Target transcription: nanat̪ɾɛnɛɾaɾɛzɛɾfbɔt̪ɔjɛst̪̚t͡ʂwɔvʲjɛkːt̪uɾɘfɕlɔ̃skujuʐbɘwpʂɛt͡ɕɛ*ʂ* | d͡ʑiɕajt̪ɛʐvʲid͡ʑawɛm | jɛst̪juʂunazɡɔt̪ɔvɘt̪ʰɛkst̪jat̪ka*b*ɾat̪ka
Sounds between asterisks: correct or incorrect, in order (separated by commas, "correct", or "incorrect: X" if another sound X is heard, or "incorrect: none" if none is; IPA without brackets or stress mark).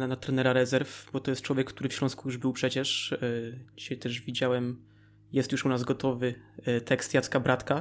correct, correct